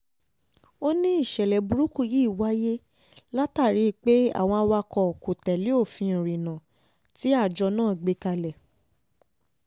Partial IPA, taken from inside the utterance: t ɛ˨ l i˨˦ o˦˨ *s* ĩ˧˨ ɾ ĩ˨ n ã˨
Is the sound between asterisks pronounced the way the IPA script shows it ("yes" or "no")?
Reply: no